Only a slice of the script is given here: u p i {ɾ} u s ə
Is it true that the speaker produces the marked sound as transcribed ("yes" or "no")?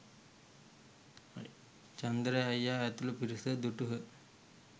yes